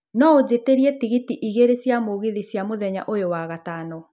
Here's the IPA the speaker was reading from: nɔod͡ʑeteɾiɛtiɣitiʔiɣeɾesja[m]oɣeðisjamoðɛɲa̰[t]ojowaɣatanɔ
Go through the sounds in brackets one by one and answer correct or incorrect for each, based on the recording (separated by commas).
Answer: correct, incorrect